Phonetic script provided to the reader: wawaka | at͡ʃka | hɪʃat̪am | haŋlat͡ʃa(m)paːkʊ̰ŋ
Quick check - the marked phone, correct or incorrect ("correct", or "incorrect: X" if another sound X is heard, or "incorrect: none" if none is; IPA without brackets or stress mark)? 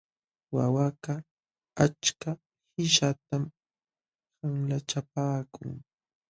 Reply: incorrect: none